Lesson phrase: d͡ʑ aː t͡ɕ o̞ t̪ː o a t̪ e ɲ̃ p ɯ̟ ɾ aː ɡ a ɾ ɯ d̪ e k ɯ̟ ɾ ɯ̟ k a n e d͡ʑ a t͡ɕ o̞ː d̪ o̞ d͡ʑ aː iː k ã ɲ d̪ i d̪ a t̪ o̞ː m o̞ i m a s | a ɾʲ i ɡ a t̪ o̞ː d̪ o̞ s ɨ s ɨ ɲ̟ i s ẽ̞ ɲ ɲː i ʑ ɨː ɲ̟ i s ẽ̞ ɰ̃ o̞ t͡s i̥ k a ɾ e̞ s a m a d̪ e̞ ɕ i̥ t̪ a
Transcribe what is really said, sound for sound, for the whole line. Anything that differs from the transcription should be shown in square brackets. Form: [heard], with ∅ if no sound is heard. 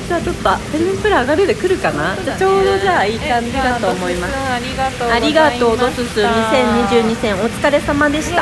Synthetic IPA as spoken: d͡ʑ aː t͡ɕ o̞ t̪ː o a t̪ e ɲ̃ p ɯ̟ ɾ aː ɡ a ɾ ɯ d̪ e k ɯ̟ ɾ ɯ̟ k a n [a] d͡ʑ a t͡ɕ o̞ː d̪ o̞ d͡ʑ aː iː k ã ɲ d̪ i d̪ a t̪ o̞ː m o̞ i m a s | a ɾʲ i ɡ a t̪ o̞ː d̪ o̞ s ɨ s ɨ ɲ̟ i s ẽ̞ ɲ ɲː i ʑ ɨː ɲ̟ i s ẽ̞ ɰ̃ o̞ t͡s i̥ k a ɾ e̞ s a m a d̪ e̞ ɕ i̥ t̪ a